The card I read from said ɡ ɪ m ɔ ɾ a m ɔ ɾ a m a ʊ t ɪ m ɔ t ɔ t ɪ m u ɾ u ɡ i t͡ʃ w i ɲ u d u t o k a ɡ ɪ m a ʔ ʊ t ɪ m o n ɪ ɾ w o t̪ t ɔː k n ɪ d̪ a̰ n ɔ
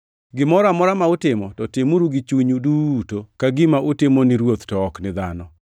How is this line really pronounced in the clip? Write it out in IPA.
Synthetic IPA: ɡ ɪ m ɔ ɾ a m ɔ ɾ a m a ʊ t ɪ m ɔ t ɔ t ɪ m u ɾ u ɡ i t͡ʃ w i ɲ u d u t o k a ɡ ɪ m a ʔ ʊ t ɪ m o n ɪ ɾ w o t̪ t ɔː k n ɪ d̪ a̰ n ɔ